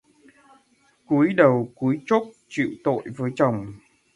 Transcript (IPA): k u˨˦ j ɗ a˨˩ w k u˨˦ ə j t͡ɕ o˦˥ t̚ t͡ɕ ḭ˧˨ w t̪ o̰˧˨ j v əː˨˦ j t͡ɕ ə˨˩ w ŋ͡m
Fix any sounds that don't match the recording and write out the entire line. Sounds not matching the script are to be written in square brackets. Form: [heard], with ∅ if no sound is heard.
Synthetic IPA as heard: k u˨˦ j ɗ [ə˨˩] w k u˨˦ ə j t͡ɕ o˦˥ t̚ t͡ɕ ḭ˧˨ w t̪ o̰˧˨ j v əː˨˦ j t͡ɕ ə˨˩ w ŋ͡m